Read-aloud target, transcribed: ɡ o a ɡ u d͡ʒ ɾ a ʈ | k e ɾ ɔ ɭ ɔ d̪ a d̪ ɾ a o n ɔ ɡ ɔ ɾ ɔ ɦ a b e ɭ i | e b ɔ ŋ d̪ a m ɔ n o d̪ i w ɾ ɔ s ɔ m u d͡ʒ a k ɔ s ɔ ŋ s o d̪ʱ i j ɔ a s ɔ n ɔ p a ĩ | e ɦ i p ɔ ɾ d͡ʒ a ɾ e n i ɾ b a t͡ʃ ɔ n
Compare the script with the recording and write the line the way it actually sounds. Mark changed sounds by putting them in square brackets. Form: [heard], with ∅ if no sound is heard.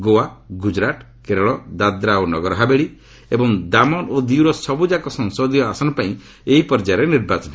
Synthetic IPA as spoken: ɡ o a ɡ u d͡ʒ ɾ a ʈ | k e ɾ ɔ ɭ ɔ d̪ a d̪ ɾ a o n ɔ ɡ ɔ ɾ ɔ ɦ a b e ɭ i | e b ɔ ŋ d̪ a m ɔ n o d̪ i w ɾ ɔ s ɔ [b] u d͡ʒ a k ɔ s ɔ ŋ s o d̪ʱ i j ɔ a s ɔ n ɔ p a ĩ | e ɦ i p ɔ ɾ d͡ʒ a ɾ e n i ɾ b a t͡ʃ ɔ n

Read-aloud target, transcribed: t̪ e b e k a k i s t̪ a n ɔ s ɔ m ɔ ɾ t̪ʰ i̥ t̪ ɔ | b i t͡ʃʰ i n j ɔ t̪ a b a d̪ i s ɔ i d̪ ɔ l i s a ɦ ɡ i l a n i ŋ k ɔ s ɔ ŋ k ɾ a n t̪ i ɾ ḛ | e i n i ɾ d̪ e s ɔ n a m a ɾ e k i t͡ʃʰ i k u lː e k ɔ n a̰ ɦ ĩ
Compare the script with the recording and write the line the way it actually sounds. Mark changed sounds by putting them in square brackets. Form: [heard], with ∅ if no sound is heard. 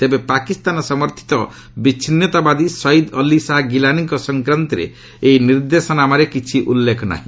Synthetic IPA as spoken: t̪ e b e [p] a k i s t̪ a n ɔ s ɔ m ɔ ɾ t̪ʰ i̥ t̪ ɔ | b i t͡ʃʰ i n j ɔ t̪ a b a d̪ i s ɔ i d̪ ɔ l i s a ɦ ɡ i l a n i ŋ k ɔ s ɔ ŋ k ɾ a n t̪ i ɾ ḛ | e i n i ɾ d̪ e s ɔ n a m a ɾ e k i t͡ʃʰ i [ʔ] u lː e k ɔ n a̰ ɦ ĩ

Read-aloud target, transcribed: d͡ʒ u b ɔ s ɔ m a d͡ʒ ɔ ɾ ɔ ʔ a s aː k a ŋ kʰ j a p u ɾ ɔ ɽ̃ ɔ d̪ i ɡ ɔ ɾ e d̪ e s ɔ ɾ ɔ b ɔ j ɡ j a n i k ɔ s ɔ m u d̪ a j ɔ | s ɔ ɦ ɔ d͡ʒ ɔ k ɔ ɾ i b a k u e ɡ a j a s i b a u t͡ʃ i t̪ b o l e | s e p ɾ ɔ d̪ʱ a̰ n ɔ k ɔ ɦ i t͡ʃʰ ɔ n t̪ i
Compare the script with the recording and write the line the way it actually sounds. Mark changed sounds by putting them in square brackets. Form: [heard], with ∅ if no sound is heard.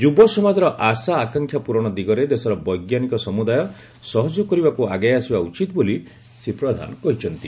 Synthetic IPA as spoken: d͡ʒ u b ɔ s ɔ m a d͡ʒ ɔ ɾ ɔ ʔ a s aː k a ŋ kʰ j a p u ɾ ɔ ɽ̃ ɔ d̪ i ɡ ɔ ɾ e d̪ e s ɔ ɾ ɔ b ɔ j ɡ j a n i k ɔ s ɔ m u d̪ a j ɔ | s ɔ ɦ ɔ d͡ʒ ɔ k ɔ ɾ i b a k u [a] ɡ a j a s i b a u t͡ʃ i t̪ b o l [i] | s e p ɾ ɔ d̪ʱ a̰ n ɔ k ɔ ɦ i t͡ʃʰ ɔ n t̪ i

